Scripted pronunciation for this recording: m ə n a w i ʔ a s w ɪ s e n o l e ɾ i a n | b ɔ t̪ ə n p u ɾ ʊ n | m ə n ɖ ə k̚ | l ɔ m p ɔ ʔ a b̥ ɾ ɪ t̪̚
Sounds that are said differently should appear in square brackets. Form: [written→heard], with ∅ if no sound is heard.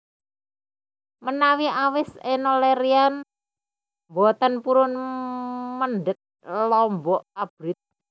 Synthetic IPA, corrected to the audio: m ə n a w i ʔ a [s→∅] w ɪ s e n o l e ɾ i a n | b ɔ t̪ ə n p u ɾ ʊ n | m ə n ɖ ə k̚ | l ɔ m [p→b] ɔ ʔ a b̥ ɾ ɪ t̪̚